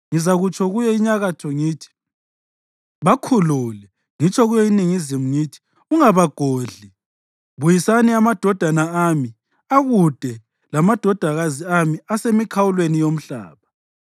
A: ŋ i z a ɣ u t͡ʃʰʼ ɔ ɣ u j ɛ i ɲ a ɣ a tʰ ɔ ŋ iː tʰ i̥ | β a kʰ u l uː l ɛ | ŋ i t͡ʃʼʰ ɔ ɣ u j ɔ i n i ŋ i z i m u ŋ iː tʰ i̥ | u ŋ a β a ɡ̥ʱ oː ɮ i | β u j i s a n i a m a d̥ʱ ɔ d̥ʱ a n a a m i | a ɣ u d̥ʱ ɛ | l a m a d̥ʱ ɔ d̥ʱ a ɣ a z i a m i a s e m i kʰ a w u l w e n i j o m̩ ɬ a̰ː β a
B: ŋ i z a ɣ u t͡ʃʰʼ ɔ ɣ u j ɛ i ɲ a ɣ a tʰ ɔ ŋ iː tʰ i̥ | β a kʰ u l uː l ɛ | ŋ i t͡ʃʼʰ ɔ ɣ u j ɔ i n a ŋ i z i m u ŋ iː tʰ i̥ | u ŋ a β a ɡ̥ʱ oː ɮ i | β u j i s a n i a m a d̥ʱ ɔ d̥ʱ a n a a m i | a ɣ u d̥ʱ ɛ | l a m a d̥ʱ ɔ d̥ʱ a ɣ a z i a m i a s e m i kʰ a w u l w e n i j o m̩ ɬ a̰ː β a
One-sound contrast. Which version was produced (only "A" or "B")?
A